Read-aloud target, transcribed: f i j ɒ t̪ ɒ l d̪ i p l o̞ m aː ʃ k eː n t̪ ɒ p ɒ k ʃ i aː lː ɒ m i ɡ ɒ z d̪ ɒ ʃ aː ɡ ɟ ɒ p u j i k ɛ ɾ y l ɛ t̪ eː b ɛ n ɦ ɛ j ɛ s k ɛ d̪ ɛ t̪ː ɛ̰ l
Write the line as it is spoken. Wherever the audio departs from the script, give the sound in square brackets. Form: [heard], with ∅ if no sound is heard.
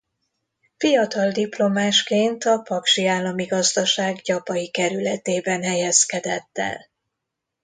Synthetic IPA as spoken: f i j ɒ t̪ ɒ l d̪ i p l o̞ m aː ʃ k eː n t̪ ɒ p ɒ k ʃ i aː lː ɒ m i ɡ ɒ z d̪ ɒ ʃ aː ɡ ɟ ɒ p [ɒ] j i k ɛ ɾ y l ɛ t̪ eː b ɛ n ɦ ɛ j ɛ s k ɛ d̪ ɛ t̪ː ɛ̰ l

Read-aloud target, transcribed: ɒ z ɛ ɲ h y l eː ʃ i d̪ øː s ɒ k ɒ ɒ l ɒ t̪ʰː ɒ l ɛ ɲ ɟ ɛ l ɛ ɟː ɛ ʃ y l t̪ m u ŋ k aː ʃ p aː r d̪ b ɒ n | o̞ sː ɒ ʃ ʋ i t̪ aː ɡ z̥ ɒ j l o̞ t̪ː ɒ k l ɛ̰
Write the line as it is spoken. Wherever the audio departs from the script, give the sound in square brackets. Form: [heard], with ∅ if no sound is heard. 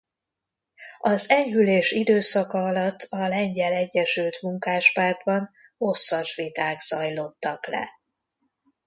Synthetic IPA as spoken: ɒ z ɛ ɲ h y l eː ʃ i d̪ øː s ɒ k ɒ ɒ l ɒ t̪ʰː ɒ l ɛ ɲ ɟ ɛ l ɛ ɟː ɛ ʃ y l t̪ m u ŋ k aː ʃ p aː r d̪ b ɒ n | o̞ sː ɒ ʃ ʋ i t̪ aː ɡ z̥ ɒ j l o̞ t̪ː ɒ k l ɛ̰

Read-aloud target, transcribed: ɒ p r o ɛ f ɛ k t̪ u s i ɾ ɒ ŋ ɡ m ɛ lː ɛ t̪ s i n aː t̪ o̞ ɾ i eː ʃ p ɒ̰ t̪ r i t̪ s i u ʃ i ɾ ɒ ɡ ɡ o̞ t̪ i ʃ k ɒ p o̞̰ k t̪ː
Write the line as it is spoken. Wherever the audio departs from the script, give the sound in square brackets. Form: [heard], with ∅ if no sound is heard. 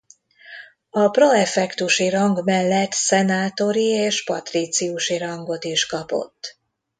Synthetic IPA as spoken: ɒ p r o ɛ f ɛ k t̪ u [ʃ] i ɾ ɒ ŋ ɡ m ɛ lː ɛ t̪ s [ɛ] n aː t̪ o̞ ɾ i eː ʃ p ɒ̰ t̪ r i t̪ s i u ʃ i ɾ ɒ [ŋ] ɡ o̞ t̪ i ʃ k ɒ p o̞̰ [∅] t̪ː

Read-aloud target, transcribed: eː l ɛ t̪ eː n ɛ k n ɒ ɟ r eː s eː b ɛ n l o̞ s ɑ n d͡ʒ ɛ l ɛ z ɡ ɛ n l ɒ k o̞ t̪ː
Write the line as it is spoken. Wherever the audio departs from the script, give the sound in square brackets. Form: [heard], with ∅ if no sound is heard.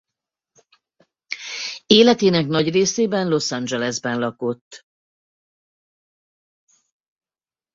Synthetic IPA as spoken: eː l ɛ t̪ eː n ɛ k n ɒ ɟ r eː s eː b ɛ n l o̞ s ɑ n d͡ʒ ɛ l ɛ z [b] ɛ n l ɒ k o̞ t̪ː

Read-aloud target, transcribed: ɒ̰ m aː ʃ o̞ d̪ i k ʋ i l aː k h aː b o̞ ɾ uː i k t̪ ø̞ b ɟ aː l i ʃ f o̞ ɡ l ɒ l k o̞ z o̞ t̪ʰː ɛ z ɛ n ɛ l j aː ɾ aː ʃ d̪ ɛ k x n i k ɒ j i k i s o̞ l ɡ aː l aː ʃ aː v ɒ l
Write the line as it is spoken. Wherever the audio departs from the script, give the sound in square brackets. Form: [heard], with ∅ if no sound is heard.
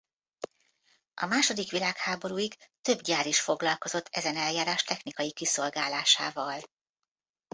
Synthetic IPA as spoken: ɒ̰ m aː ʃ o̞ d̪ i k ʋ i l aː k h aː b o̞ ɾ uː i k t̪ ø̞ b ɟ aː [ɾ] i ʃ f o̞ ɡ l ɒ l k o̞ z o̞ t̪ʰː ɛ z ɛ n ɛ l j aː ɾ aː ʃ [t̪] ɛ [∅] x n i k ɒ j i k i s o̞ l ɡ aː l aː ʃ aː v ɒ l

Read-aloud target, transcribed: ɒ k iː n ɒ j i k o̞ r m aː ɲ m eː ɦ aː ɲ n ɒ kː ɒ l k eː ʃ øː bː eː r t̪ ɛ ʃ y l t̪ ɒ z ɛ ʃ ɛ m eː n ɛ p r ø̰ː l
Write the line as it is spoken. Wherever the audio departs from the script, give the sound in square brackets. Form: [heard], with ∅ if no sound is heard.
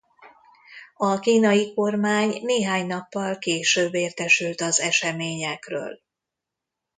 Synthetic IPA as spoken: ɒ k iː n ɒ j i k o̞ r m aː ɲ [n] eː ɦ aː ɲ n ɒ [pː] ɒ l k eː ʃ øː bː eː r t̪ ɛ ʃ y l t̪ ɒ z ɛ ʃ ɛ m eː [ɲ] ɛ [k] r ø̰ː l

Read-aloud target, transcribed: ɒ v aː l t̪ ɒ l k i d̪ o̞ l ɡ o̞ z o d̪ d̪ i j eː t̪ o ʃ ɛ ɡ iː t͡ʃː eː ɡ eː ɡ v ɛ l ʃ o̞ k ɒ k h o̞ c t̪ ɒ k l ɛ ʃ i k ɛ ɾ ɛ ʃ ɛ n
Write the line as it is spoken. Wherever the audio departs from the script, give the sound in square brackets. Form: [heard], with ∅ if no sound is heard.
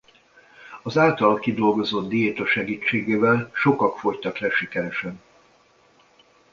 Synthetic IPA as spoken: ɒ [z] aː l t̪ ɒ l k i d̪ o̞ l ɡ o̞ z o d̪ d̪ i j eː t̪ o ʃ ɛ ɡ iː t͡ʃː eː ɡ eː [∅] v ɛ l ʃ o̞ k ɒ k [f] o̞ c t̪ ɒ k l ɛ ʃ i k ɛ ɾ ɛ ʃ ɛ n

